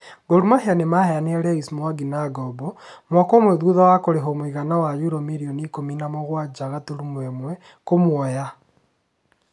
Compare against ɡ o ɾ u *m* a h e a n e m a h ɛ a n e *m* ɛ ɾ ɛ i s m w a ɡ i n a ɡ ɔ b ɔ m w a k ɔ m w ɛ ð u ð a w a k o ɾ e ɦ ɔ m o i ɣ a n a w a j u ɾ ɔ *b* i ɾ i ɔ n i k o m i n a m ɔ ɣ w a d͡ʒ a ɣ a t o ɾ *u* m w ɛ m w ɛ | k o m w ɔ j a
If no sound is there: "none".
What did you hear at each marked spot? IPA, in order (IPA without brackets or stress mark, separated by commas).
m, none, m, u